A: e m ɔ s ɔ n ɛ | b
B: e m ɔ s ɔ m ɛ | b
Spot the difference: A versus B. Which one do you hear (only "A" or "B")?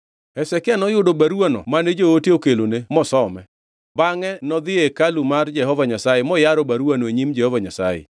B